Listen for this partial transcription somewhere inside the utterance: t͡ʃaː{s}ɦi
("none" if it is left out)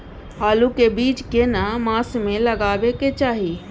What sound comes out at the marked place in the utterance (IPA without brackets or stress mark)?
none